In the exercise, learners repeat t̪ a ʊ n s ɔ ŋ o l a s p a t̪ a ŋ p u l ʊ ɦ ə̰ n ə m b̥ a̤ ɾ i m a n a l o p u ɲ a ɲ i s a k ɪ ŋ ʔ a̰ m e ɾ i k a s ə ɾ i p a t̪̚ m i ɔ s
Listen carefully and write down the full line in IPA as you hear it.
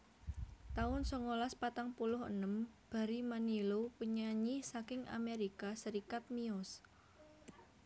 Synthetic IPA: t̪ a ʊ n s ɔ ŋ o l a s p a t̪ a ŋ p u l ʊ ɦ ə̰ n ə m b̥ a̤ ɾ i m a n i l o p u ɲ a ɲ i s a k ɪ ŋ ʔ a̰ m e ɾ i k a s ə ɾ i k a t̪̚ m i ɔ s